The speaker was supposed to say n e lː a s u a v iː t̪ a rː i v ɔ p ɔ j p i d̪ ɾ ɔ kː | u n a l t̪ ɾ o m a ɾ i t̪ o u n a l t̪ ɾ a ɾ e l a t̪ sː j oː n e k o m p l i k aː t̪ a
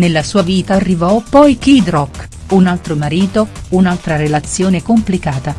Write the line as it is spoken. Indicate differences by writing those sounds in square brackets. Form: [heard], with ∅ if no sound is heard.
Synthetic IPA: n e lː a s [uː] a v iː t̪ a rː i v ɔ p ɔ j [k] i d̪ ɾ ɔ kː | u n a l t̪ ɾ o m a ɾ [iː] t̪ o u n a l t̪ ɾ a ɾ e l a t̪ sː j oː n e k o m p l i k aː t̪ a